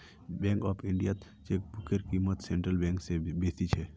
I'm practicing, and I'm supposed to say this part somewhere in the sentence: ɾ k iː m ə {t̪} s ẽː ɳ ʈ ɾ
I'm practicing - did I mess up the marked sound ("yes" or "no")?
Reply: no